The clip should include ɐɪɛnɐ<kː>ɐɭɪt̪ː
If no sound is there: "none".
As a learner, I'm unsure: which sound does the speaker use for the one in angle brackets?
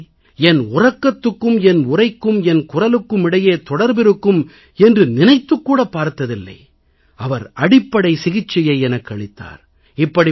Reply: kː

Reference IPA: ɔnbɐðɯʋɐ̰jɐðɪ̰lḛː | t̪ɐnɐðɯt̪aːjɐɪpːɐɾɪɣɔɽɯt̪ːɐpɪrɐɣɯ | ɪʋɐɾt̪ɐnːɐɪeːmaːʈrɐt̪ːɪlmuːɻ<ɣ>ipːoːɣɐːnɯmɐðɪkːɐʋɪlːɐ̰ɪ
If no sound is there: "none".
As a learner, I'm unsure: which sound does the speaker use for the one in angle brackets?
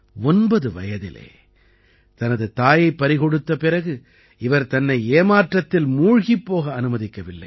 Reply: ɣ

